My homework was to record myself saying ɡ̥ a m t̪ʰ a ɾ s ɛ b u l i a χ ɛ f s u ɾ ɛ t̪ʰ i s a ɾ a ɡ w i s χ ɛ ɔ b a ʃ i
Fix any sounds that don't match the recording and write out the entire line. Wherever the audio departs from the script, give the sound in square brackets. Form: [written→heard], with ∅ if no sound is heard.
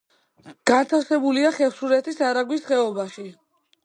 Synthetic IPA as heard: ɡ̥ a [m→n] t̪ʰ a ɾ s ɛ b u l i a χ ɛ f s u ɾ ɛ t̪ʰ i s a ɾ a ɡ w i s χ ɛ ɔ b a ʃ i